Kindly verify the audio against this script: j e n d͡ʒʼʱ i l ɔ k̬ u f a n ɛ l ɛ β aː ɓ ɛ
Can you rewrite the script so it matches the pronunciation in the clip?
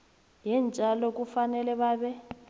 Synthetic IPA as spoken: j ɛ n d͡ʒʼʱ a l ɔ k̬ u f a n ɛ l ɛ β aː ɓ ɛ